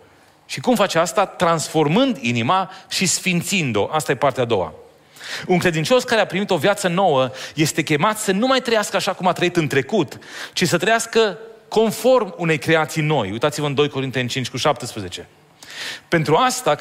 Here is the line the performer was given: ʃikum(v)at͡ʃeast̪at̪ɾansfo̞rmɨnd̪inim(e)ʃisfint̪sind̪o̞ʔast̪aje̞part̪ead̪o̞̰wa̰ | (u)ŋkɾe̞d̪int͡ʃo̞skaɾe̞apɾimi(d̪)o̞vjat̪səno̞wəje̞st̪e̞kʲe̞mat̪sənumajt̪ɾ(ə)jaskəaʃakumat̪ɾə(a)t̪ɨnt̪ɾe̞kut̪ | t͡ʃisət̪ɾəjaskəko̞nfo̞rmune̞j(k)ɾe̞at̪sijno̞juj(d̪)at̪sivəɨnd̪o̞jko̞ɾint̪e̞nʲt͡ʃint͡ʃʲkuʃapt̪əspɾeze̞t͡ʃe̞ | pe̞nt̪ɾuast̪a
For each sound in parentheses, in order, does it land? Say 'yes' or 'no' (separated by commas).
no, no, yes, no, yes, no, yes, no